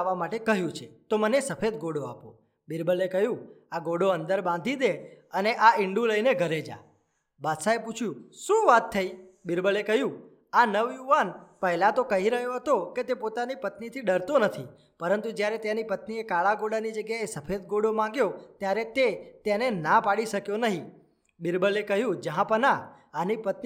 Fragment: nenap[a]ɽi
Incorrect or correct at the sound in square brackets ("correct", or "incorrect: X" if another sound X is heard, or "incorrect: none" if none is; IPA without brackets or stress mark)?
correct